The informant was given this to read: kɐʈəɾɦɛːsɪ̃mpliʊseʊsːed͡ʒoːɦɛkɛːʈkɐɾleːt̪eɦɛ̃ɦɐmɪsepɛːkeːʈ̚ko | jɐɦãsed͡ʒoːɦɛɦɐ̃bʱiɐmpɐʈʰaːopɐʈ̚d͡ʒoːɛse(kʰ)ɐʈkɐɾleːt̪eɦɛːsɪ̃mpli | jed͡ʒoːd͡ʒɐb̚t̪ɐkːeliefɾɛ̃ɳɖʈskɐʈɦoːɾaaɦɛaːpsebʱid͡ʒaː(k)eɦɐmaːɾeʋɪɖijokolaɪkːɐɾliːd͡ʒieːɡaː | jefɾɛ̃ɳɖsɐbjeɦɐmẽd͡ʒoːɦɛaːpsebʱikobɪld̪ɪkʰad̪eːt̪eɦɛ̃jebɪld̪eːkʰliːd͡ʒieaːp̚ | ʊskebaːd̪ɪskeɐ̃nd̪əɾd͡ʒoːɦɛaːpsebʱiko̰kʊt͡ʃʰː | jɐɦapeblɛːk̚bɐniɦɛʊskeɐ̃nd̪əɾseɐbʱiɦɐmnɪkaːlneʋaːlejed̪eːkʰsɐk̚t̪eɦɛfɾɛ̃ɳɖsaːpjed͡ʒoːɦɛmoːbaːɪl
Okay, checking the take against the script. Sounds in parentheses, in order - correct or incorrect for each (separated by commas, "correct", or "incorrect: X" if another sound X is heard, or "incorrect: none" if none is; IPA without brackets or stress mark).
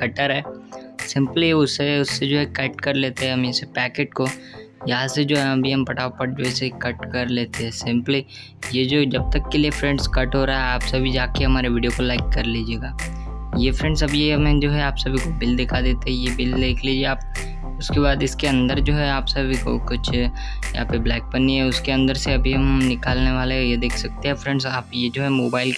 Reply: incorrect: k, correct